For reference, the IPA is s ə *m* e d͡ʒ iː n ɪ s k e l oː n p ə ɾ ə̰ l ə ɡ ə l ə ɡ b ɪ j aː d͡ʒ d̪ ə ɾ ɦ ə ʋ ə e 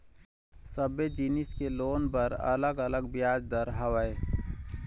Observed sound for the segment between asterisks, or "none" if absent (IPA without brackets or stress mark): b